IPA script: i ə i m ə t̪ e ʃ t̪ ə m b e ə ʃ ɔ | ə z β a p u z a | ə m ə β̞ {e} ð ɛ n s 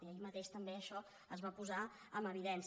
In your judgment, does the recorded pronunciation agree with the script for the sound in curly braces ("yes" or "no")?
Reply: no